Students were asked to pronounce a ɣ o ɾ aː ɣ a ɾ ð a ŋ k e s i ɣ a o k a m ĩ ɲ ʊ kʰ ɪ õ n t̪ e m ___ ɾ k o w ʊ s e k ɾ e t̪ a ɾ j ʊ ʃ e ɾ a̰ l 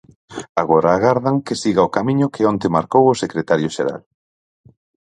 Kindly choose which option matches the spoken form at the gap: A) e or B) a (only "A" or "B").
B